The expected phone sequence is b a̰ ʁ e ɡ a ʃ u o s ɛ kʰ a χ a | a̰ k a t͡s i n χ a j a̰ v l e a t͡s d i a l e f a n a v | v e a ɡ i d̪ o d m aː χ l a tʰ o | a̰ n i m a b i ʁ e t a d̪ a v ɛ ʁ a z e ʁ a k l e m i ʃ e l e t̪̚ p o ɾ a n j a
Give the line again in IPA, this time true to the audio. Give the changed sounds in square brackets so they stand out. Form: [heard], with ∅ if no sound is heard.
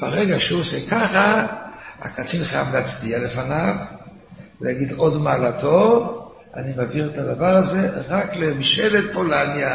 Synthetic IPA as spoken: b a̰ ʁ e ɡ a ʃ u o s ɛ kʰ a χ a | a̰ k a t͡s i n χ a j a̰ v l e a t͡s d i a l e f a n a v | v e a ɡ i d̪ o d m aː [∅] l a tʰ o | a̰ n i m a [v] i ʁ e t a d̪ a v [a] ʁ a z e ʁ a k l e m i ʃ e l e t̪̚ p o [l] a n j a